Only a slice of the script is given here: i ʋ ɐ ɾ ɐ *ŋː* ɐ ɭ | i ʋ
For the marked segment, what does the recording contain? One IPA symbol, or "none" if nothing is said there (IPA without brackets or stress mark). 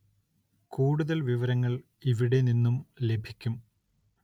ŋː